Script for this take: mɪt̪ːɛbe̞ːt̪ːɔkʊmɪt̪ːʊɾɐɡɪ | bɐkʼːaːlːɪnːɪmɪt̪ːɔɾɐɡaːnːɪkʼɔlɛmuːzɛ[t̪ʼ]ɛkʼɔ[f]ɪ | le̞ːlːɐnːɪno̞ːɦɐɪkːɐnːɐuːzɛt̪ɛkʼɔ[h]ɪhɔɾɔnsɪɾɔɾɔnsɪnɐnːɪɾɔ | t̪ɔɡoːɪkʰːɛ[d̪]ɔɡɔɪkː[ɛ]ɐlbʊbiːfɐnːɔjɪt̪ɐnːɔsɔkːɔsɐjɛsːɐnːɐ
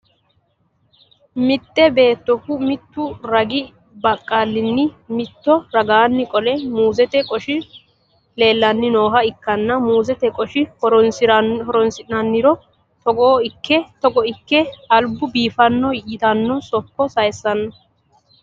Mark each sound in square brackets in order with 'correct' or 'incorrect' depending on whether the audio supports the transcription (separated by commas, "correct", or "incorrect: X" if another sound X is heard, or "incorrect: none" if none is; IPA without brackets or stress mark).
incorrect: t̪, incorrect: ʃ, incorrect: ʃ, incorrect: t̪, correct